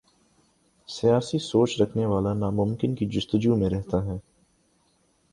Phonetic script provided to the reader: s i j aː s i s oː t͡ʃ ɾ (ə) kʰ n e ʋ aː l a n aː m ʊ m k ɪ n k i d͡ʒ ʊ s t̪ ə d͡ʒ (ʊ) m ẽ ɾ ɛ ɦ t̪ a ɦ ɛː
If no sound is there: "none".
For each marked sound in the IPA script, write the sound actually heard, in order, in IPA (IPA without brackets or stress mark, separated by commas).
ɐ, u